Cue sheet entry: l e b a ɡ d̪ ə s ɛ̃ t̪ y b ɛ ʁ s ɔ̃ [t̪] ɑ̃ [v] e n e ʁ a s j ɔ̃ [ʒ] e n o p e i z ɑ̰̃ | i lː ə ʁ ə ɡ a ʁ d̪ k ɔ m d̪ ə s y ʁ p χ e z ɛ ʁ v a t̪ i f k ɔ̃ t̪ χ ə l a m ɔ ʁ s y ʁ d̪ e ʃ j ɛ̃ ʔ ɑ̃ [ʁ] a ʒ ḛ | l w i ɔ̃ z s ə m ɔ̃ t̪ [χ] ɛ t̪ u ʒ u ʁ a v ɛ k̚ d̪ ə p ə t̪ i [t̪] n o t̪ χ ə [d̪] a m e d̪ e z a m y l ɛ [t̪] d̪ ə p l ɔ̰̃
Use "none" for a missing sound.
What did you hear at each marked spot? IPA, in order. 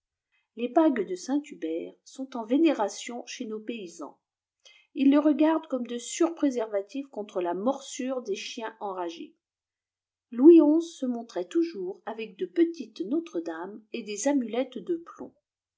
t̪, v, ʃ, ʁ, χ, t̪, d̪, t̪

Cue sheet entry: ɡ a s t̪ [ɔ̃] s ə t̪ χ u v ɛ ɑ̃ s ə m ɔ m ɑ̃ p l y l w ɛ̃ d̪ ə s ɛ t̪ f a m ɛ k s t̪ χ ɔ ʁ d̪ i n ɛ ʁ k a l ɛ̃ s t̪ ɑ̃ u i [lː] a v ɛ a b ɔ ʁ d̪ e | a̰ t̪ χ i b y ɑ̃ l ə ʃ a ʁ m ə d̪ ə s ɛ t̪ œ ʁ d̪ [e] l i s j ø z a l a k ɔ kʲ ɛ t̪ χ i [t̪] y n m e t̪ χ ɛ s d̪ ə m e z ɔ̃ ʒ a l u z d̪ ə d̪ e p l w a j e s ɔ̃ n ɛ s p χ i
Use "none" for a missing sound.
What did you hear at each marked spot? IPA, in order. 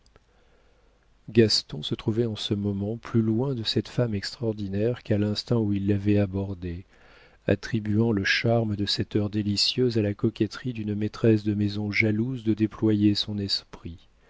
ɔ̃, lː, e, d̪

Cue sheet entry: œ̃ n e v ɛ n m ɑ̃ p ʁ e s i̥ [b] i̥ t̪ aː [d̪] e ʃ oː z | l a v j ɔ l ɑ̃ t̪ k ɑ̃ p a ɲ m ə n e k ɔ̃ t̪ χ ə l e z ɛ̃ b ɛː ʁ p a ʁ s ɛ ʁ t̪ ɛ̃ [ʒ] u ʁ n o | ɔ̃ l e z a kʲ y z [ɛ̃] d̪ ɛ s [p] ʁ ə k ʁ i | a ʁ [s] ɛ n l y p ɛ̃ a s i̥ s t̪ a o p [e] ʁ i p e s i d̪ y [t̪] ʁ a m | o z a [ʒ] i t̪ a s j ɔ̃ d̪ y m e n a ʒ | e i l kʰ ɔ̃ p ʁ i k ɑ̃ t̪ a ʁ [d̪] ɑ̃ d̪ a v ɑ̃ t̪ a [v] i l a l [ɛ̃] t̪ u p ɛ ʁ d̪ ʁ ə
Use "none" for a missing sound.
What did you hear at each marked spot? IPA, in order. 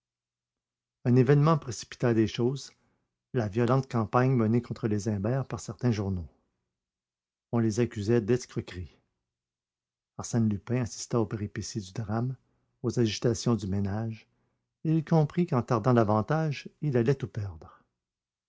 p, d̪, ʒ, ɛ, k, s, e, d̪, ʒ, d̪, ʒ, ɛ

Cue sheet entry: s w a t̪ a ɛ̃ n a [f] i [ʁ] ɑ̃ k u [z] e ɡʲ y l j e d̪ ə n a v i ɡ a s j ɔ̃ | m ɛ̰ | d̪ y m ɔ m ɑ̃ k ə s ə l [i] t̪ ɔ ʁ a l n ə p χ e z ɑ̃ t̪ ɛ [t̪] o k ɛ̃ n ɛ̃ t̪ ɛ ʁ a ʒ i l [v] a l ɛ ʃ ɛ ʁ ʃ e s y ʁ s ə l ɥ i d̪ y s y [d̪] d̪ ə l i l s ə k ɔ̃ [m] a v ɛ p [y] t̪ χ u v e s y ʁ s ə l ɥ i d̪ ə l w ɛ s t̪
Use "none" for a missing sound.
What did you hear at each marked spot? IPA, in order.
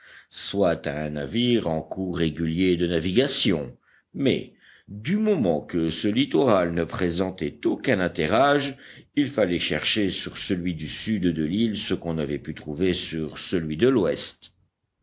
v, ʁ, ʁ, i, t̪, f, d̪, n, y

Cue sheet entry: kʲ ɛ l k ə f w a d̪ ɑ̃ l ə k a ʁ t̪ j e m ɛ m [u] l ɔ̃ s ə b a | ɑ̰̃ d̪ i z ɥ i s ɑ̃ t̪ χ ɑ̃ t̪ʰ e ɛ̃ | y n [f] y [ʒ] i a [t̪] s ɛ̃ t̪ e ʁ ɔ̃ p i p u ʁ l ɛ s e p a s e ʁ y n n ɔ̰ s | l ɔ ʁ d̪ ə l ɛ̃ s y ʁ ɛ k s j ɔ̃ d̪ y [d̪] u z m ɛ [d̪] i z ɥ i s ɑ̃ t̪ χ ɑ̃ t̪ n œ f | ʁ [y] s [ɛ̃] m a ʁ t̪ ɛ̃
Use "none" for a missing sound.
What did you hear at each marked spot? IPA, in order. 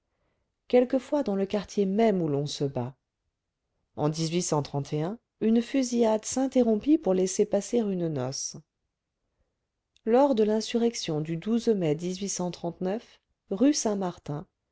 u, f, z, d̪, d̪, d̪, y, ɛ̃

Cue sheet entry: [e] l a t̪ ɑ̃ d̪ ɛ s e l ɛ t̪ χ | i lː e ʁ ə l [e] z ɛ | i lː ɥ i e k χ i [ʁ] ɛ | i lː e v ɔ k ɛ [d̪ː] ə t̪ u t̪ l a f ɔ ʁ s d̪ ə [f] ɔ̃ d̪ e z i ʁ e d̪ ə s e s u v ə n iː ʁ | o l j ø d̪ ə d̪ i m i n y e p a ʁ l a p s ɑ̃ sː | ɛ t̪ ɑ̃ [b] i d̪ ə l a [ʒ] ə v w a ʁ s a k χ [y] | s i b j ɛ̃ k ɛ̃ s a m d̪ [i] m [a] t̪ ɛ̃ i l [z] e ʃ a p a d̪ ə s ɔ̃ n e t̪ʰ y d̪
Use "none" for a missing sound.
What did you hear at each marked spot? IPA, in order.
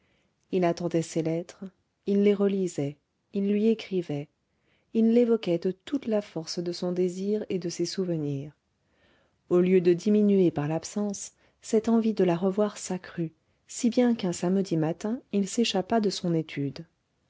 i, i, v, d̪, s, v, ʁ, y, i, a, s

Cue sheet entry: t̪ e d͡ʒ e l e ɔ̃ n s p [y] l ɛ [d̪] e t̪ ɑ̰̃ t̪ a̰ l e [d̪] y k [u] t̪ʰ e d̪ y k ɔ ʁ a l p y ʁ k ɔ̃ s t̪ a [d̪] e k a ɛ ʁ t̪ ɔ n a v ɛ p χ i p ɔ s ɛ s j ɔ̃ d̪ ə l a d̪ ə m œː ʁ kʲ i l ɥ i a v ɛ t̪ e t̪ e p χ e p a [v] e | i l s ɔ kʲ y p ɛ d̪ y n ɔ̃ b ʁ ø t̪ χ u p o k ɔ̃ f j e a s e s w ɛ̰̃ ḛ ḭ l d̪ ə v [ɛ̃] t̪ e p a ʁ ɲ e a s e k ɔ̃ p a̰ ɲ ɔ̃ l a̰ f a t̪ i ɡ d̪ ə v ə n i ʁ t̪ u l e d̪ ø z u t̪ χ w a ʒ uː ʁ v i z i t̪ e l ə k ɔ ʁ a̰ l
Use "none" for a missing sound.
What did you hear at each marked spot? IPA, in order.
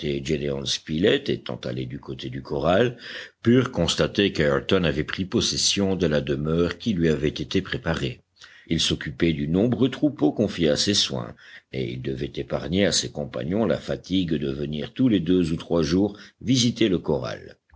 i, t̪, d̪, o, t̪, ʁ, ɛ

